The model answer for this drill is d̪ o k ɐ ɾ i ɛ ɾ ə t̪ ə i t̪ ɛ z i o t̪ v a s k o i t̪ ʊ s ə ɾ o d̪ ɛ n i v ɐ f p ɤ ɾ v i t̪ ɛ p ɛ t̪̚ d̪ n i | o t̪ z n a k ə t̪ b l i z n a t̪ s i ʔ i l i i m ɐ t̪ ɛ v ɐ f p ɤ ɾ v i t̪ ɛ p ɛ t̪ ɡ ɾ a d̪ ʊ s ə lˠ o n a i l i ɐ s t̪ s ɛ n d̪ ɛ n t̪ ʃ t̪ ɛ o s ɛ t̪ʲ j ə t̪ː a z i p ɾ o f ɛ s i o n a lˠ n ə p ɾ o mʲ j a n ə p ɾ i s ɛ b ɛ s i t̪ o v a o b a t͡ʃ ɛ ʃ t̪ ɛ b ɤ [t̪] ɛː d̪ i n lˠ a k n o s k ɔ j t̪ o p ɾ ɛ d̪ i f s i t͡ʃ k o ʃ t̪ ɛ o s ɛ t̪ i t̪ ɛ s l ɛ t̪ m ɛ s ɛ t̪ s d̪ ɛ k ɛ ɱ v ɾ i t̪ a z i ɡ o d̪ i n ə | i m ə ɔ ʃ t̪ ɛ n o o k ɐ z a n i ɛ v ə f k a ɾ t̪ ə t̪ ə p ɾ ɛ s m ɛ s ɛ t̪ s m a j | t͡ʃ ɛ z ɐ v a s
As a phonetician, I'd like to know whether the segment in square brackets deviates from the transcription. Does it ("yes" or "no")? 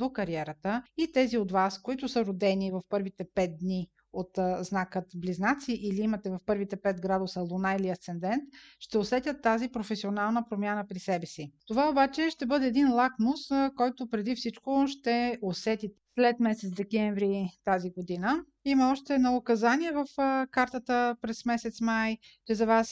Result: yes